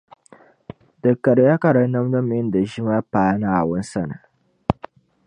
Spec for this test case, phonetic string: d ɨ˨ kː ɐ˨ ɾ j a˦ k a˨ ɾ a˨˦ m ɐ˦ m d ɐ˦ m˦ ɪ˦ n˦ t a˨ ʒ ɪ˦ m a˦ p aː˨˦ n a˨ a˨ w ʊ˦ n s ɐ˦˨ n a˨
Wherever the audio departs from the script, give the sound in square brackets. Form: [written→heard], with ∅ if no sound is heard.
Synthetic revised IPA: d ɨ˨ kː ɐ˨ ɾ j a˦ k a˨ ɾ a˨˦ [m→n] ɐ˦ m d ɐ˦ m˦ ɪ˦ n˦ [t→d] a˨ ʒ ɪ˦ m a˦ p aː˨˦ n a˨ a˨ w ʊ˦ n s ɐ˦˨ n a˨